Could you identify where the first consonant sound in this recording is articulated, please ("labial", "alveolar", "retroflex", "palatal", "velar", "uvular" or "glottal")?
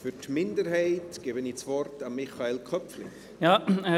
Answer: labial